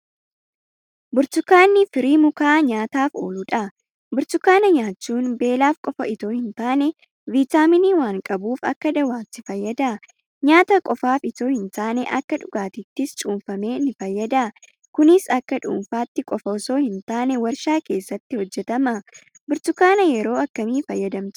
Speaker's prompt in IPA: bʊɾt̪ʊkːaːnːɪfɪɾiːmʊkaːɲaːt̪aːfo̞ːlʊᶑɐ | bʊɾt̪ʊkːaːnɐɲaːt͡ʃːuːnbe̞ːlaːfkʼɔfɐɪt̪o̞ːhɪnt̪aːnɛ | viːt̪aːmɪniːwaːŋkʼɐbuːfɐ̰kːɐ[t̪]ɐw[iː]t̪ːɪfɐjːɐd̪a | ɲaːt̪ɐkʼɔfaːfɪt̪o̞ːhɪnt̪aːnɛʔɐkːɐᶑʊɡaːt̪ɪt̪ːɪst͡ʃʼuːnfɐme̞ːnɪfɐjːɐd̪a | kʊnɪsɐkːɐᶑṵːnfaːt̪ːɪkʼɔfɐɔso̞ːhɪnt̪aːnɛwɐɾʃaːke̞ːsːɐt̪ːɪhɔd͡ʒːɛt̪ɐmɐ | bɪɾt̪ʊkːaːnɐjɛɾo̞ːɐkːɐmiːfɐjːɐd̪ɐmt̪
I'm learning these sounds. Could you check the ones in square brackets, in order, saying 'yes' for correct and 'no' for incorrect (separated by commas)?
no, no